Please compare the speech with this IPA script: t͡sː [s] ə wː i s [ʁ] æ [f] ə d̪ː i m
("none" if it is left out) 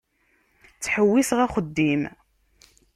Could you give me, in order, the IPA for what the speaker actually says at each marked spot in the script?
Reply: ħ, ʁ, χ

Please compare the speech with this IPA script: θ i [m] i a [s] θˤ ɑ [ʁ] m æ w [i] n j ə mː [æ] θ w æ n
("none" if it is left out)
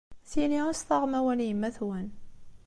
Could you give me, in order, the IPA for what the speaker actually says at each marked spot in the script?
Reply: n, s, ʁ, æ, æ

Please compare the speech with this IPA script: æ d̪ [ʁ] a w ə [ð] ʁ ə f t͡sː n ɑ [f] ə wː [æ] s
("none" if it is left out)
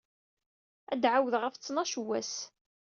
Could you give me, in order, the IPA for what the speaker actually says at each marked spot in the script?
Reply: ʕ, ð, ʃ, æ

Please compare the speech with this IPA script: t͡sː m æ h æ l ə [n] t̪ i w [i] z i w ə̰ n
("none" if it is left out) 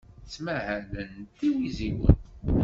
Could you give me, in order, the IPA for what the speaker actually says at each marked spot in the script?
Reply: n, i

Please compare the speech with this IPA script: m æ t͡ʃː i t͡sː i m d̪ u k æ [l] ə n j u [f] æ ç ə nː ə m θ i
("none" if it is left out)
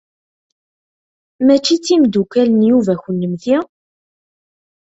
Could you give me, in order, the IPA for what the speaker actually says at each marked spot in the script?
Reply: l, v

